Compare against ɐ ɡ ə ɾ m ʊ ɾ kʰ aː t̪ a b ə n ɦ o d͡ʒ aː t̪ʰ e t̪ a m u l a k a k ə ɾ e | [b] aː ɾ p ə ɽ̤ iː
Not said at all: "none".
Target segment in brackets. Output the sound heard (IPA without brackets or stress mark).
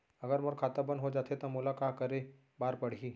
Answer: b